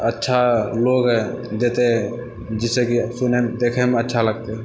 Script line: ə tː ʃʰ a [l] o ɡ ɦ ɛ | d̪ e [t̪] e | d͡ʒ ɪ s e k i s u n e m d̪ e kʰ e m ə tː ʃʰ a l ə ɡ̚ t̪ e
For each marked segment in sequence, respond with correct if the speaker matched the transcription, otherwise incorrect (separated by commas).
correct, correct